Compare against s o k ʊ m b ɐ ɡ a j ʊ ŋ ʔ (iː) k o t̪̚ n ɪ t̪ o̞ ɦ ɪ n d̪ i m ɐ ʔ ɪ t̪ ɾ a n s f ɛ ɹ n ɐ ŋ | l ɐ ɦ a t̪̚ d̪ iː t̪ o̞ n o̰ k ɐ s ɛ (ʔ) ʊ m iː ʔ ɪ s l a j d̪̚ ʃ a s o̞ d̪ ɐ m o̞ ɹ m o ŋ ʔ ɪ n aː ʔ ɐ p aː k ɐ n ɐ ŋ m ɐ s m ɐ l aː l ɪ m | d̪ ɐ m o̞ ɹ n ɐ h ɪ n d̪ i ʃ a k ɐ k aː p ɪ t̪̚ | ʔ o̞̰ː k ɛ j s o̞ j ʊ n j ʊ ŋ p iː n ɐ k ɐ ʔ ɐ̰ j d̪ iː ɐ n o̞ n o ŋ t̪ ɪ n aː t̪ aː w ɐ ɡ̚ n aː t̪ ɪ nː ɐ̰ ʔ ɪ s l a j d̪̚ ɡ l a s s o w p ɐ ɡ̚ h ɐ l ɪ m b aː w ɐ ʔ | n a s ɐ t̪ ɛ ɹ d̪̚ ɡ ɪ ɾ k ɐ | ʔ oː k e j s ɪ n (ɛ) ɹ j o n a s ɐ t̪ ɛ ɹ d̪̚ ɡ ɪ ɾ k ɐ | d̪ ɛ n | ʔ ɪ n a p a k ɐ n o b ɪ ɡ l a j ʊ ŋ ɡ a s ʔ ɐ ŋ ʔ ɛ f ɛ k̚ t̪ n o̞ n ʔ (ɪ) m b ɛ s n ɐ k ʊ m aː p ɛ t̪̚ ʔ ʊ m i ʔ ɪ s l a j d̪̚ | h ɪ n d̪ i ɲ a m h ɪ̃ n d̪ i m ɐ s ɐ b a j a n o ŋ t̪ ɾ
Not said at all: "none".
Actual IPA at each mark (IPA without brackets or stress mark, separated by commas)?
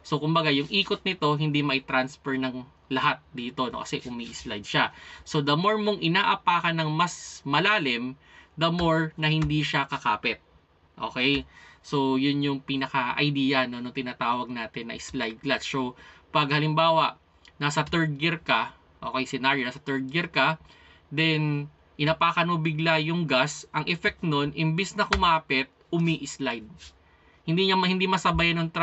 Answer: iː, ʔ, a, ɪ